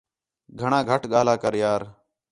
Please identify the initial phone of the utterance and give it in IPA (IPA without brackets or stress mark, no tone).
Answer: ɡʱ